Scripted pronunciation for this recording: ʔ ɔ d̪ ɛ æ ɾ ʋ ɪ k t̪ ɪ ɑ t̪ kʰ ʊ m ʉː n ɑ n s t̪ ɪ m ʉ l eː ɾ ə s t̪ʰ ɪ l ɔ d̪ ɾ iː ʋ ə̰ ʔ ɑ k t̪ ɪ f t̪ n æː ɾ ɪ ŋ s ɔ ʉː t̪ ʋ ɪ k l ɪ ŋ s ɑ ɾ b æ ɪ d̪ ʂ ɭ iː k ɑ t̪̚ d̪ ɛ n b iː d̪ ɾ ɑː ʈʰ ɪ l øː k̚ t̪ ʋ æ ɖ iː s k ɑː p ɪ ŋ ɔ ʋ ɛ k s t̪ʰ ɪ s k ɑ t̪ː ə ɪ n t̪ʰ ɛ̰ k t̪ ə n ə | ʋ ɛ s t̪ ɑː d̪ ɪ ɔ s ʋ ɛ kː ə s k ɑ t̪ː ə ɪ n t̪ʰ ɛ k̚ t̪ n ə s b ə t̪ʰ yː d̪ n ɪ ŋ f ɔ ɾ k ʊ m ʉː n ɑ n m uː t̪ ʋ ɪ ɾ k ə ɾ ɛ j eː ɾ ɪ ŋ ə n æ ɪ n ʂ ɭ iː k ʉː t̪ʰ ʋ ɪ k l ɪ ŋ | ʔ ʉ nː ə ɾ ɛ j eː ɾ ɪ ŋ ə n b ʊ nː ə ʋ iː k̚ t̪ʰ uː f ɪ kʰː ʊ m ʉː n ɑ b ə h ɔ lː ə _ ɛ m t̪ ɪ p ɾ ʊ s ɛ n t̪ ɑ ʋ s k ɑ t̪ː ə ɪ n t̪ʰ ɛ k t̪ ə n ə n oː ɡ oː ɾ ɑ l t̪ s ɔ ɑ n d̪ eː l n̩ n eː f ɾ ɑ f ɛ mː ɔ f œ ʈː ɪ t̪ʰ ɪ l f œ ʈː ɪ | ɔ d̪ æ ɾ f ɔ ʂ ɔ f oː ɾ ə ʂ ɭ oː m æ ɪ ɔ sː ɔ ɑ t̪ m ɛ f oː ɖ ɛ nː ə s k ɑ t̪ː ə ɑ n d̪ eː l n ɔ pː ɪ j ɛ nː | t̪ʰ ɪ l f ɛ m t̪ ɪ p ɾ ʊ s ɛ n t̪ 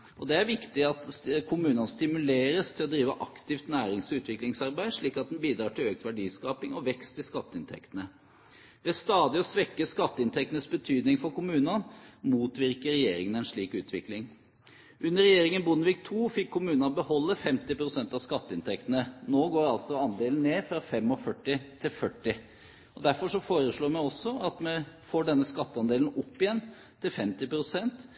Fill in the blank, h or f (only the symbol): f